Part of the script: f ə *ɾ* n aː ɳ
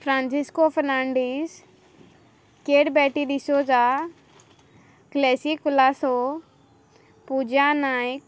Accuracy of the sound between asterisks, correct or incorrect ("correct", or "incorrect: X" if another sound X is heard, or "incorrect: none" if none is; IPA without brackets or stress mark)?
correct